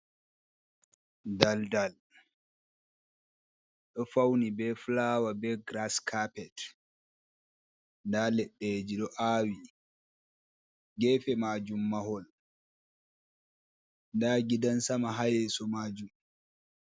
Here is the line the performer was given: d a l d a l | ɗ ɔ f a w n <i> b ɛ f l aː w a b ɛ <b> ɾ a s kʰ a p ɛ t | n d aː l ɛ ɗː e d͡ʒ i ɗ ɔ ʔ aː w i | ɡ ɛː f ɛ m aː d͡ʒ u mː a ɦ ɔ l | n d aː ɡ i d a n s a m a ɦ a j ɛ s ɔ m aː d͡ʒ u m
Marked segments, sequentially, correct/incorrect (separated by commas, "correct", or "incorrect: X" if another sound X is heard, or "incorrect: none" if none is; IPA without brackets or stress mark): correct, incorrect: ɡ